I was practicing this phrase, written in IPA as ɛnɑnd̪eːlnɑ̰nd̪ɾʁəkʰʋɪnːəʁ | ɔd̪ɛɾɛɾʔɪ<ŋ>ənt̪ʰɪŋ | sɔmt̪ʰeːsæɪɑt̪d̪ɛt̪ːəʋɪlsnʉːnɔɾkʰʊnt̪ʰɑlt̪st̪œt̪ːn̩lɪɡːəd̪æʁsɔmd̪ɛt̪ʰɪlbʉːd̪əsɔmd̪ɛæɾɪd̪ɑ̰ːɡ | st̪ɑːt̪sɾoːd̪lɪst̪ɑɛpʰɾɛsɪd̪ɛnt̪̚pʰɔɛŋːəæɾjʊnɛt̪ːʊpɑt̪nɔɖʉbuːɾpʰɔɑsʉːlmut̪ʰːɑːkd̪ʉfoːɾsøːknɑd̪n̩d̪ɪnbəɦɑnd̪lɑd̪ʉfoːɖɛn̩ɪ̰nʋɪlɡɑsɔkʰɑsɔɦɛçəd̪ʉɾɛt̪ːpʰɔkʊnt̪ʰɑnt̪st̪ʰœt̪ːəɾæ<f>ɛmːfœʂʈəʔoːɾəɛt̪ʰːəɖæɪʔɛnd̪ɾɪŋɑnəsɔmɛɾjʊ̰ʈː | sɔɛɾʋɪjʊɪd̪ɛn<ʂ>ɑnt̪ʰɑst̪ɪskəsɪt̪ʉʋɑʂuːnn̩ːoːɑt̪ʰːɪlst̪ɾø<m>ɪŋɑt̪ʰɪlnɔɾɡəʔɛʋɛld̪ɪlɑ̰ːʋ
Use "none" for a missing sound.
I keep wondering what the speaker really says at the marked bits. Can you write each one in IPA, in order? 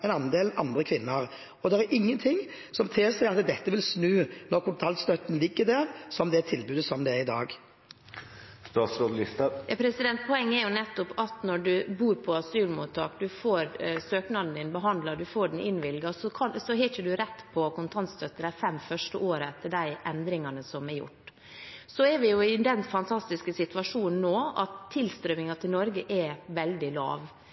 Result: ŋː, f, f, m

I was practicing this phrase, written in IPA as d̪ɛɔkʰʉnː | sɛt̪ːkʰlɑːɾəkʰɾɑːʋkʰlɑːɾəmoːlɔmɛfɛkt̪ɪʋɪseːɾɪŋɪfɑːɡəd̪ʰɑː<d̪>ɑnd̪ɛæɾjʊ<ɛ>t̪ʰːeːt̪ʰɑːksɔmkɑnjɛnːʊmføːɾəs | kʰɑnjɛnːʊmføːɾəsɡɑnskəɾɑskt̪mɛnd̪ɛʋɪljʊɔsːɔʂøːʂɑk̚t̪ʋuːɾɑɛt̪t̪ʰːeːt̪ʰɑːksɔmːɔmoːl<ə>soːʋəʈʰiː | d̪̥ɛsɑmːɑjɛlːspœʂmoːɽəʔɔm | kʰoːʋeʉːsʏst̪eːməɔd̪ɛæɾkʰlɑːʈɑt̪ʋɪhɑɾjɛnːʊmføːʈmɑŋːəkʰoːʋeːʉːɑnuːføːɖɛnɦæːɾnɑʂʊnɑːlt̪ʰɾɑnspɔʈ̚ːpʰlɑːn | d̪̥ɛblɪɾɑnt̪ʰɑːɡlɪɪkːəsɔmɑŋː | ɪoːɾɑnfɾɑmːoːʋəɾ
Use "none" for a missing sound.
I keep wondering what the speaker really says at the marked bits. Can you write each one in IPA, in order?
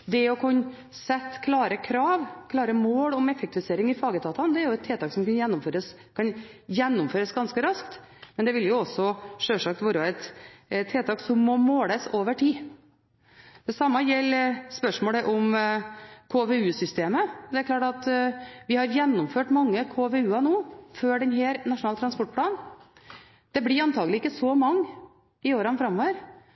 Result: t̪, ɛ, ə

